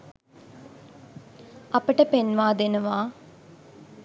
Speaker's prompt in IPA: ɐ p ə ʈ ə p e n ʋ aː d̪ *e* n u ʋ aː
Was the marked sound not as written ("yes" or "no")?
no